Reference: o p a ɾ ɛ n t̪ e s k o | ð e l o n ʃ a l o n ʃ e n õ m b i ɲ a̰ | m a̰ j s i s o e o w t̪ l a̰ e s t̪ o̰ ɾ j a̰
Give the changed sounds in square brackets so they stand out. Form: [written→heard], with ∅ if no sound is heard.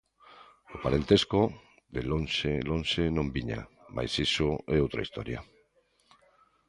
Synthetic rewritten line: o p a ɾ [ɛ→e] n t̪ e s k o | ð e l o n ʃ [a→e] l o n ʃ e n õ m b i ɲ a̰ | m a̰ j s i s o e o w t̪ [l→ɾ] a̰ [e→i] s t̪ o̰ ɾ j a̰